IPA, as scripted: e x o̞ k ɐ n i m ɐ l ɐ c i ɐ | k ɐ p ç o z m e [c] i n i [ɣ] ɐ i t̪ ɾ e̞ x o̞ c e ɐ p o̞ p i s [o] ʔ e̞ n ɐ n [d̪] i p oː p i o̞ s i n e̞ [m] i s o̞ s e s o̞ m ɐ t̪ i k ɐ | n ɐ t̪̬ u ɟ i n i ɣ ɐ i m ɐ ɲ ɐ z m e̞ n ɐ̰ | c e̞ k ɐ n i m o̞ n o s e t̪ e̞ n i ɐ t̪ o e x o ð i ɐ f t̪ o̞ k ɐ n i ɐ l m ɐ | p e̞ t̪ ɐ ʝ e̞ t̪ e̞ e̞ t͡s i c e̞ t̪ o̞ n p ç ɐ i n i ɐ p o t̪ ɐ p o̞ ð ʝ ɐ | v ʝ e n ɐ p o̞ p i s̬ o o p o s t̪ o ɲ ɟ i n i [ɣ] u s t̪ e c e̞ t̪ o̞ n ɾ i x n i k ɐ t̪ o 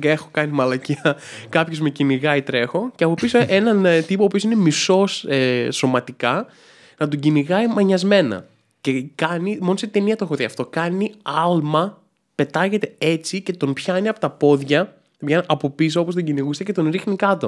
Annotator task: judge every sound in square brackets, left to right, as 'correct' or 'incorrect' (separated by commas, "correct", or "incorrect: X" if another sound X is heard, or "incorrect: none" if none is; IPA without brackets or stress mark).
correct, correct, correct, incorrect: t̪, correct, correct